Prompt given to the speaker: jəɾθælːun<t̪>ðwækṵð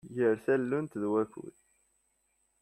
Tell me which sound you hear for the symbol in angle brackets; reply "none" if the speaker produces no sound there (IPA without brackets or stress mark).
t̪